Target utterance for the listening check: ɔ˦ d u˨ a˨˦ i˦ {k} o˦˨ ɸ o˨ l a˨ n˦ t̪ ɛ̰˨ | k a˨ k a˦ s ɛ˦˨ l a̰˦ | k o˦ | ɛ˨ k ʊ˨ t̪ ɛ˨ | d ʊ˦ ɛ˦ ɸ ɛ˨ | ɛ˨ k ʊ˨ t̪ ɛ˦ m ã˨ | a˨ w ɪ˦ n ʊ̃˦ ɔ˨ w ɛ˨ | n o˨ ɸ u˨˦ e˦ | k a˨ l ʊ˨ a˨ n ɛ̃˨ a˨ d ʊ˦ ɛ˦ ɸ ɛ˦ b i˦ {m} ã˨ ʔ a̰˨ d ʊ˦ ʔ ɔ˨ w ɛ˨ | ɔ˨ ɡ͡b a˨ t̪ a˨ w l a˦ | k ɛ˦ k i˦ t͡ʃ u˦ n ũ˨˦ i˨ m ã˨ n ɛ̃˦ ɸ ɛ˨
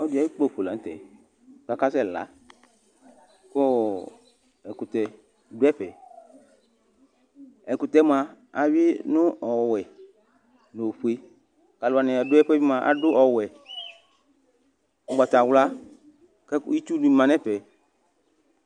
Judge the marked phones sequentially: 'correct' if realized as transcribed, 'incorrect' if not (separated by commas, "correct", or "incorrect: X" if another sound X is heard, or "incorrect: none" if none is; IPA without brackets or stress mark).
incorrect: k͡p, correct